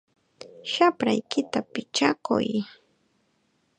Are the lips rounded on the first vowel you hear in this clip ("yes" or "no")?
no